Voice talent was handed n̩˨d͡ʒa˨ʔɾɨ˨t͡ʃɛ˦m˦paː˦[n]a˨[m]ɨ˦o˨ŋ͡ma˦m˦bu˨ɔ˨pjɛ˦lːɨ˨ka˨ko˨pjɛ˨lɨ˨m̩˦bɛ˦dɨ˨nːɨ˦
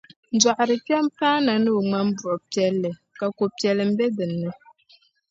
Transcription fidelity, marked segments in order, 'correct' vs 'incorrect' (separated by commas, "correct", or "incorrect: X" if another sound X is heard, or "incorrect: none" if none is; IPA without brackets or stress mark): correct, incorrect: n